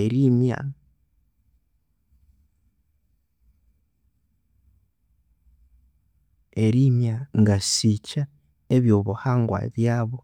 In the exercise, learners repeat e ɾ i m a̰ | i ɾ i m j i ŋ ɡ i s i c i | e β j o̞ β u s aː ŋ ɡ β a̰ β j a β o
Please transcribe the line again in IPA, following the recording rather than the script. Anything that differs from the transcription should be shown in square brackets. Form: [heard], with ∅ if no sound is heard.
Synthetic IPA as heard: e ɾ i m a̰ | [e] ɾ i m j [a] ŋ ɡ [a] s i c [a] | e β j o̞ β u [h] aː ŋ ɡ [w] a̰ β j a β o